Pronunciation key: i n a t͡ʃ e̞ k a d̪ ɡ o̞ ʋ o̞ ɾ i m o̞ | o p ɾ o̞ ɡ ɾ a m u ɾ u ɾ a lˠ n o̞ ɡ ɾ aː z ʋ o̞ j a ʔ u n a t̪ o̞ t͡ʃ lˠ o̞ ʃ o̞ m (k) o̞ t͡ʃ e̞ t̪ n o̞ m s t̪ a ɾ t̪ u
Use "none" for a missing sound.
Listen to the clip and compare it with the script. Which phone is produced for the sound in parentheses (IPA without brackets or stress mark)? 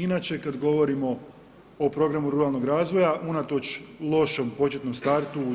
p